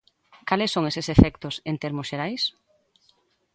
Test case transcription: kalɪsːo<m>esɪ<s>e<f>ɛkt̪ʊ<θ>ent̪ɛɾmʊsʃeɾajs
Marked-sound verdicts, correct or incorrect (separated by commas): incorrect, correct, correct, incorrect